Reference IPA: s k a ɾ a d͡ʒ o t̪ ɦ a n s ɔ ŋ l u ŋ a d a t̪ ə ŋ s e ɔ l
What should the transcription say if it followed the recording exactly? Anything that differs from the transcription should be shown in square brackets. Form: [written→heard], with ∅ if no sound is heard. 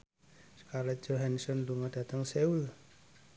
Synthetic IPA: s k a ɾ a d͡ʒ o [t̪→∅] ɦ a n s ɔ [ŋ→n] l u ŋ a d a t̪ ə ŋ s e [ɔ→u] l